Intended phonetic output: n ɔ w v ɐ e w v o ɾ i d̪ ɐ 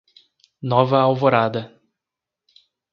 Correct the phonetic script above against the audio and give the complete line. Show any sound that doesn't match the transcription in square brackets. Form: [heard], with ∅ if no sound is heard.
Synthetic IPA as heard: n ɔ [∅] v ɐ [a] w v o ɾ [a] d̪ ɐ